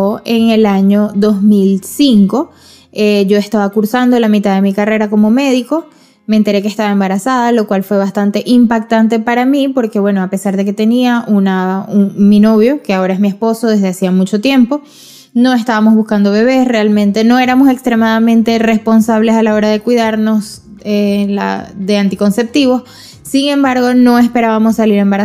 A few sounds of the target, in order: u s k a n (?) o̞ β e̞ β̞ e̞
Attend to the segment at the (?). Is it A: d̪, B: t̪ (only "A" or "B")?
A